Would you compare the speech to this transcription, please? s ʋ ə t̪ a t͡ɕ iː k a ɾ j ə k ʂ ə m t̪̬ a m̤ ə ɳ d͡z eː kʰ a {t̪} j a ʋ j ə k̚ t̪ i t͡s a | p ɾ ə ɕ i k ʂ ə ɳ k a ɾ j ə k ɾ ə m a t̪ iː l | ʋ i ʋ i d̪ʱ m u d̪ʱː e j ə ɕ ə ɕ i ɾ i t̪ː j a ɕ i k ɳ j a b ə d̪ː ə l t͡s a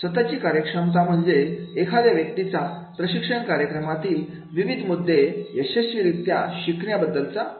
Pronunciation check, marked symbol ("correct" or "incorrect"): incorrect